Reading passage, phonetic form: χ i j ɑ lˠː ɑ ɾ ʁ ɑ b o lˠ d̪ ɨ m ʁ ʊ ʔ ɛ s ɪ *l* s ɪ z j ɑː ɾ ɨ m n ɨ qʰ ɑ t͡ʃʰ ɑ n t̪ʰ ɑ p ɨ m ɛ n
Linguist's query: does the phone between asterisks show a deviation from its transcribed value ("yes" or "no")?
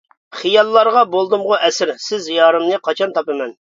yes